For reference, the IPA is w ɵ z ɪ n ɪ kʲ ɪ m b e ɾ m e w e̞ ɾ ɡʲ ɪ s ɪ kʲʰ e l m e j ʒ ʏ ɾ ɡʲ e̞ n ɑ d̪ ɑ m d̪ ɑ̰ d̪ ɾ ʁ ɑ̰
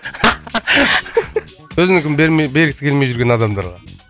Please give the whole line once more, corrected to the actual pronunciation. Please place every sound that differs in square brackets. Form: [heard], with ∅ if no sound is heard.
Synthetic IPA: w ɵ z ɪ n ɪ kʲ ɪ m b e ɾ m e [b] e̞ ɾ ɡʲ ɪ s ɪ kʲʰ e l m e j ʒ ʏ ɾ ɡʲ e̞ n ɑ d̪ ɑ m d̪ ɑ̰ [∅] ɾ ʁ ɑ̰